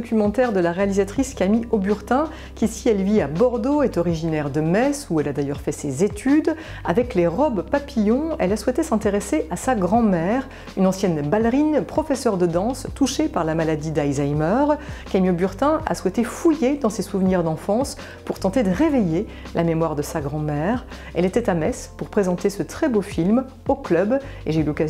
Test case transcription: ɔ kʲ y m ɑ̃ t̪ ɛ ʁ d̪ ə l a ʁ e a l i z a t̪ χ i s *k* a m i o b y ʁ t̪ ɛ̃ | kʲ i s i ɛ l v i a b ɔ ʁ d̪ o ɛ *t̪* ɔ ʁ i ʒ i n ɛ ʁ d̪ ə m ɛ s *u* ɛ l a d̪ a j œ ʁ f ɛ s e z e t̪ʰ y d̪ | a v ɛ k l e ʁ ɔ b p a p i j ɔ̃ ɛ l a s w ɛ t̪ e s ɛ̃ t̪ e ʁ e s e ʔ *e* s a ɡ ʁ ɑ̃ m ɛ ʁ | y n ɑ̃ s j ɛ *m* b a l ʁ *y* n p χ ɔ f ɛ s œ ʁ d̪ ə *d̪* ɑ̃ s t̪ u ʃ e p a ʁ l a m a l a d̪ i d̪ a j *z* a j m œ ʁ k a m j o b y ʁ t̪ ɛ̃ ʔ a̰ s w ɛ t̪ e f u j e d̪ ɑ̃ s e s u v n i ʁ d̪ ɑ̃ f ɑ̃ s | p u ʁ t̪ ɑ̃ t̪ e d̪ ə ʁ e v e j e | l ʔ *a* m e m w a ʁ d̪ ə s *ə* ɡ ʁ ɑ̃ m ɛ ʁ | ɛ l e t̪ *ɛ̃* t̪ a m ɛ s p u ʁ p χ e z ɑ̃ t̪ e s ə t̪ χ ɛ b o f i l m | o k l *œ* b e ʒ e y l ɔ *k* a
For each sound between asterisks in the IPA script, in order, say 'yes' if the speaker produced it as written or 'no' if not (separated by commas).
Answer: yes, yes, yes, no, no, no, yes, yes, yes, no, no, yes, yes